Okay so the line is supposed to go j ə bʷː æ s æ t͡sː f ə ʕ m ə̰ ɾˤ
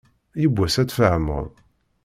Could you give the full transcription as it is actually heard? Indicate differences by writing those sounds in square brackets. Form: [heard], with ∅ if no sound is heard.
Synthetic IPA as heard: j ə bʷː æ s æ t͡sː f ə ʕ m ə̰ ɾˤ